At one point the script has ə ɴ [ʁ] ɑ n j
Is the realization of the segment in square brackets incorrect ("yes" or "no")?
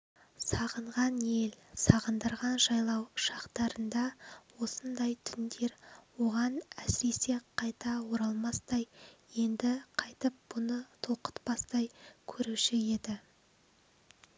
no